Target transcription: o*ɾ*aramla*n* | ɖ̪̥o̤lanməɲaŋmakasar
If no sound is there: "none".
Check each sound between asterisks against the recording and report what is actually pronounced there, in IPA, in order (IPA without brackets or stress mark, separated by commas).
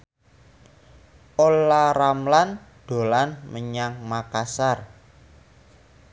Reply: l, n